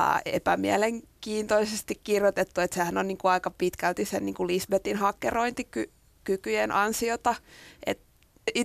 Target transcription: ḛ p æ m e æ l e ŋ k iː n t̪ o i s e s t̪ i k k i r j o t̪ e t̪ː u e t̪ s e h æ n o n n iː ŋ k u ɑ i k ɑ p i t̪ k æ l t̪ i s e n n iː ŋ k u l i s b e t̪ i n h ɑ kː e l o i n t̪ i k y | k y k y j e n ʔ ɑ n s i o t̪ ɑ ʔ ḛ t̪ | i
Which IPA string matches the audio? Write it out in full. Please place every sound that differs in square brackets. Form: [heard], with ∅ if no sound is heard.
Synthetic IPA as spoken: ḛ p æ m [i] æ l e ŋ k iː n t̪ o i s e s t̪ i k k i r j o t̪ e t̪ː u e t̪ s e h æ n o n n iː ŋ k u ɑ i k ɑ p i t̪ k æ l t̪ i s e n n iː ŋ k u l i s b e t̪ i n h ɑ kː e [r] o i n t̪ i k y | k y k y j e n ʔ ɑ n s i o t̪ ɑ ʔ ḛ t̪ | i